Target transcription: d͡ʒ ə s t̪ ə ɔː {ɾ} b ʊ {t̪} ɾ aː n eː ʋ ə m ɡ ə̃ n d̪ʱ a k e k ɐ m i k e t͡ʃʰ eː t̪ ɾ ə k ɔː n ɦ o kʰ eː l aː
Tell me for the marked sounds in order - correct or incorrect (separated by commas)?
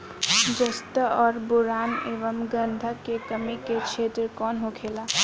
correct, incorrect